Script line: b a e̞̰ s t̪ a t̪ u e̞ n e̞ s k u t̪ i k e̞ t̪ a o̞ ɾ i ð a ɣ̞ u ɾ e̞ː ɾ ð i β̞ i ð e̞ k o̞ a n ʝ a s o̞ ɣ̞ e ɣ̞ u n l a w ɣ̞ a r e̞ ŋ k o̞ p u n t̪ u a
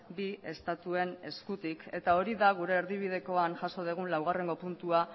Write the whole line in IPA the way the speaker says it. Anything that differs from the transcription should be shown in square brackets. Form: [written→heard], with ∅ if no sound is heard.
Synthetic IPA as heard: b [a→i] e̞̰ s t̪ a t̪ u e̞ n e̞ s k u t̪ i k e̞ t̪ a o̞ ɾ i ð a ɣ̞ u ɾ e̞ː ɾ ð i β̞ i ð e̞ k o̞ a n ʝ a s o̞ [ɣ̞→ð̞] e ɣ̞ u n l a w ɣ̞ a r e̞ ŋ [k→ɡ] o̞ p u n t̪ u a